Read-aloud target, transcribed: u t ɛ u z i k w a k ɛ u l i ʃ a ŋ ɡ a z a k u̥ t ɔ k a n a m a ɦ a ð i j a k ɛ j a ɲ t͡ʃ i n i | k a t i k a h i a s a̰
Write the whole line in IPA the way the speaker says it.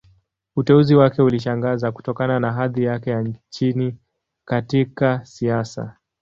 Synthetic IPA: u t ɛ u z i w a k ɛ u l i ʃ a ŋ ɡ a z a k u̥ t ɔ k a n a n a ɦ a ð i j a k ɛ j a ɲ t͡ʃ i n i | k a t i k a s i a s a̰